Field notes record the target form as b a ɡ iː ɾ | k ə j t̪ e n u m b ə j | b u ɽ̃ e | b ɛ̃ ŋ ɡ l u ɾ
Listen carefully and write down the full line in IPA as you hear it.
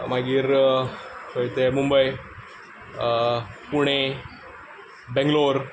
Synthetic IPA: m a ɡ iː ɾ | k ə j t̪ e m u m b ə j | p u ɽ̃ e | b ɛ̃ ŋ ɡ l o ɾ